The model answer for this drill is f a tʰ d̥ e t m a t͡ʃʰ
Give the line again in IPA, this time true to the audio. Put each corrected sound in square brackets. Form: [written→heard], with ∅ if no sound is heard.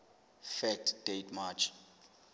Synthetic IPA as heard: f [a→ɛ] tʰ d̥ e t m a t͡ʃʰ